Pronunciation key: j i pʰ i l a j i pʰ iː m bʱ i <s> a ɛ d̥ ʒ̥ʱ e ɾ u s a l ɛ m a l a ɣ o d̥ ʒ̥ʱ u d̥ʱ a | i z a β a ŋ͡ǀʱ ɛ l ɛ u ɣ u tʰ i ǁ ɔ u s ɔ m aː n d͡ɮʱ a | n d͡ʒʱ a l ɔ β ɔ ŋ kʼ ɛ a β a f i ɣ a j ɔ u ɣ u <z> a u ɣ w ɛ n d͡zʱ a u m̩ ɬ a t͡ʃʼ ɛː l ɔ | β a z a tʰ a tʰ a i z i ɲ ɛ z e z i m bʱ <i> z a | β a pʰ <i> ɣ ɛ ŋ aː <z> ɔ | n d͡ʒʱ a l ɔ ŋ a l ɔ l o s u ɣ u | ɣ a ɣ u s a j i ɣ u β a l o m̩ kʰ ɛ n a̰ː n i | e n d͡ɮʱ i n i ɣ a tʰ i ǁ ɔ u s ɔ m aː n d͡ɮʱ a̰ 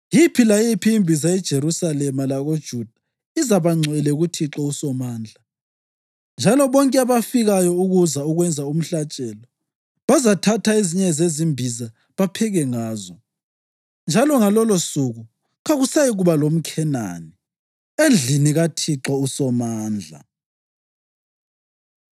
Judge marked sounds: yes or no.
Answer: no, yes, yes, no, yes

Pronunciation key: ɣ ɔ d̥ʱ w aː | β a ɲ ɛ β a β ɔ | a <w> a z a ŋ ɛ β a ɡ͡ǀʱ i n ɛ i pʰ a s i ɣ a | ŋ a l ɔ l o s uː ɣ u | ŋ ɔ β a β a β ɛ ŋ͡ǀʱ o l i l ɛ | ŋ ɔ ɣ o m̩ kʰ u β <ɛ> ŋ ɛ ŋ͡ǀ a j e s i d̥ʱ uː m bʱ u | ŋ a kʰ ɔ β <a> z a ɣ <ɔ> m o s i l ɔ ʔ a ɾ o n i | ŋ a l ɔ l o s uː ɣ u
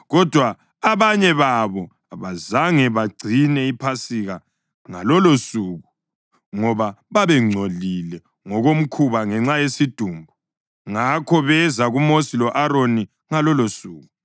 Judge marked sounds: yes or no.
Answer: no, no, no, no

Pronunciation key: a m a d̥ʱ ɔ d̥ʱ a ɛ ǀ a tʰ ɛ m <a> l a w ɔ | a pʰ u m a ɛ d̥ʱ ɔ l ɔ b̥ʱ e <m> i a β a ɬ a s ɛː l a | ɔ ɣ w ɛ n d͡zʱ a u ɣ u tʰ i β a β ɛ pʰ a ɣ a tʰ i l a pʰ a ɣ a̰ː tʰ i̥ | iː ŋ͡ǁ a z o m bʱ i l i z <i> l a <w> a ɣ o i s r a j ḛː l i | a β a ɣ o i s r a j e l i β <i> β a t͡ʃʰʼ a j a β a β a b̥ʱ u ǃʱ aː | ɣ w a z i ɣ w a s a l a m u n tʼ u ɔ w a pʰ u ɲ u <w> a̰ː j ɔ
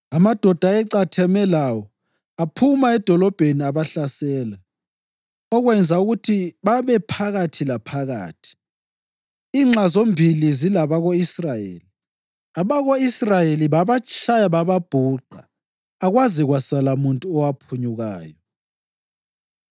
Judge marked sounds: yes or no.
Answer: no, no, yes, no, no, no

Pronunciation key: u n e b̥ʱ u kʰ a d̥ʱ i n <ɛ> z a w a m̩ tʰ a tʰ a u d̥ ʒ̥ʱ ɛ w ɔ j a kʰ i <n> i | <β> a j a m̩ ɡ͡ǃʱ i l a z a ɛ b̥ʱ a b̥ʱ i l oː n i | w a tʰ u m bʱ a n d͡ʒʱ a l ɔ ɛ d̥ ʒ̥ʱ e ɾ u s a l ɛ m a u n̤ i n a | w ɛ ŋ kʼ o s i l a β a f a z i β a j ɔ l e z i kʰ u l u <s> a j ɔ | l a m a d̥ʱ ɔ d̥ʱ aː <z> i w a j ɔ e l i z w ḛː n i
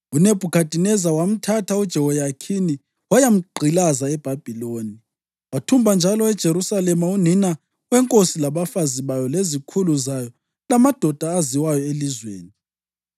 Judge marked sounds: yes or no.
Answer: yes, yes, no, no, yes

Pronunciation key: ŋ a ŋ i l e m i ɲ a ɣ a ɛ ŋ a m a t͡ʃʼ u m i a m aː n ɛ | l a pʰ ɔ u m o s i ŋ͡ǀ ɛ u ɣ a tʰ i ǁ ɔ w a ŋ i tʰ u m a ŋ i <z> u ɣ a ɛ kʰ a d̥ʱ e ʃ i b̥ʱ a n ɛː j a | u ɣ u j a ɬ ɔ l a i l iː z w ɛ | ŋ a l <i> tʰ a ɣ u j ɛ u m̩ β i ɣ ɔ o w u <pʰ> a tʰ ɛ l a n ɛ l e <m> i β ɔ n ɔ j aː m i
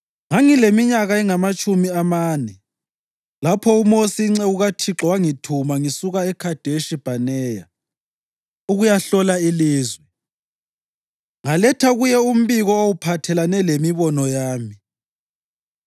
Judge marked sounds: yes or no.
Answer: no, no, yes, yes

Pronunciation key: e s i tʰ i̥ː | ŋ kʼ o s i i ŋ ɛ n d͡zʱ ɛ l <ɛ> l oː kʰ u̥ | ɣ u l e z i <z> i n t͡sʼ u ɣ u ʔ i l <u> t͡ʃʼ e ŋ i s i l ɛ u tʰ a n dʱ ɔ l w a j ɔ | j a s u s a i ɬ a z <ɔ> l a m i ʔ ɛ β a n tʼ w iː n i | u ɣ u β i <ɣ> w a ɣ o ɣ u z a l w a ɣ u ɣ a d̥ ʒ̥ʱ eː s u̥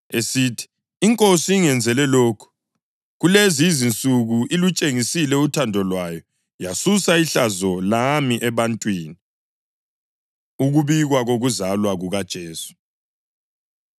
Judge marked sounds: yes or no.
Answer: yes, yes, yes, yes, yes

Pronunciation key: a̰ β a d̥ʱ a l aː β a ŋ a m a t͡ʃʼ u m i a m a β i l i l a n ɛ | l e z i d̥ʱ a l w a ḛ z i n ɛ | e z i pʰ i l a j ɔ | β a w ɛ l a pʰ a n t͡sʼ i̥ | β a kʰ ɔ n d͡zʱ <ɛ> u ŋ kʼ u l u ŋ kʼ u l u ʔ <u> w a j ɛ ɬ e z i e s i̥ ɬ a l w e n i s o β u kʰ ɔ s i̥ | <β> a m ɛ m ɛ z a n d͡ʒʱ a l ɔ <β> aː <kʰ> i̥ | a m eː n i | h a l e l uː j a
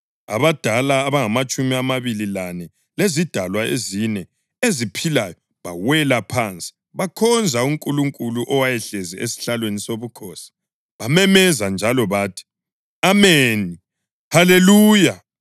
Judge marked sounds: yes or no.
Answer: no, no, yes, yes, no

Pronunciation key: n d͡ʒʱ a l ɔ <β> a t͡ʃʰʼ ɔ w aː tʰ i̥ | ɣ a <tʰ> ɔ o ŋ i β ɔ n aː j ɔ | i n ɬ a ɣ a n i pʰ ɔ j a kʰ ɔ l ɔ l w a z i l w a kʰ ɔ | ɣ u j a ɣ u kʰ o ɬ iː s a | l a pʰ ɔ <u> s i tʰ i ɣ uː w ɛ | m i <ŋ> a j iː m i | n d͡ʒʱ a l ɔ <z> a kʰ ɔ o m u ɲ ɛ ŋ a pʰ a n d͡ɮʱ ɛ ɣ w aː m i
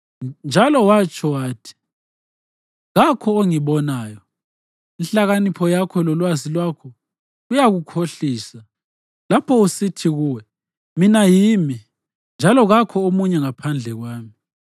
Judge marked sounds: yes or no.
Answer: no, no, yes, no, no

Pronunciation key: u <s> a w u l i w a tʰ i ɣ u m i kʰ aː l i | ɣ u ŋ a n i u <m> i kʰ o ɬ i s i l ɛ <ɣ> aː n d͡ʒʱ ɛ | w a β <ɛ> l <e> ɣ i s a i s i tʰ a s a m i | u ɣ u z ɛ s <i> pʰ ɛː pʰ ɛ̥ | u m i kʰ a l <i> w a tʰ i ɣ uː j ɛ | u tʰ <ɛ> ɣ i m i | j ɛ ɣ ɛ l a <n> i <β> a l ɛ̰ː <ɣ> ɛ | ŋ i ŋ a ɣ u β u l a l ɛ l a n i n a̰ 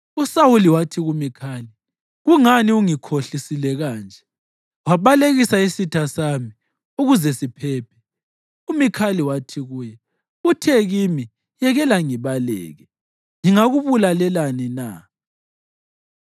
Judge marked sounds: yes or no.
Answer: yes, no, yes, no, yes, yes, yes, yes, no, yes, yes

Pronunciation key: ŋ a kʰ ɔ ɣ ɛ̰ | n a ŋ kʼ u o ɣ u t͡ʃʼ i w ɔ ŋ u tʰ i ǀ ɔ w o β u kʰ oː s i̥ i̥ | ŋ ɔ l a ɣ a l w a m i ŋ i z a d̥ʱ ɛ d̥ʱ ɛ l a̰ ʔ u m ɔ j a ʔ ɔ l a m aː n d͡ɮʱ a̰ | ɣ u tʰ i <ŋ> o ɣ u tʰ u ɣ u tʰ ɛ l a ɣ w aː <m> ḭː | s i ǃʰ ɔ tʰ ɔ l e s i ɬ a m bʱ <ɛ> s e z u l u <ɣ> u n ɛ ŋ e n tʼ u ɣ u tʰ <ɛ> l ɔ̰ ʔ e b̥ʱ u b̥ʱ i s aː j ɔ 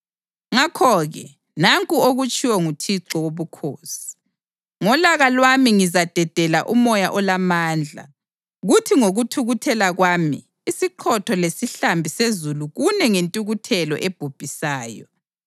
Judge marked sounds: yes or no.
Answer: yes, yes, no, yes, yes

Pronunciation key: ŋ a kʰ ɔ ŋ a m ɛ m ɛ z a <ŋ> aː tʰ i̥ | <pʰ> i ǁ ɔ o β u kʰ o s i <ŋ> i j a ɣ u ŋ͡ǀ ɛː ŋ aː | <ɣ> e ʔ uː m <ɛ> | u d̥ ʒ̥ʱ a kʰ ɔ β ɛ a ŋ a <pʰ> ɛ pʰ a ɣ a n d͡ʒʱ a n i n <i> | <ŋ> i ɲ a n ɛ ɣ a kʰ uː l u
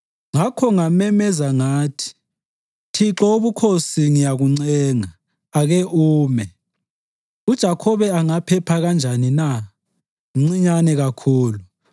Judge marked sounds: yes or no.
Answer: yes, no, yes, yes, yes, yes, no, no

